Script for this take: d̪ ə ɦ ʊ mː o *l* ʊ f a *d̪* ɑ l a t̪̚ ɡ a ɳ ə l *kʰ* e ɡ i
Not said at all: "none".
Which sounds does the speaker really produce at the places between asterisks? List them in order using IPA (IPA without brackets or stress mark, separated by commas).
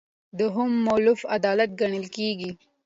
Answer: l, d̪, k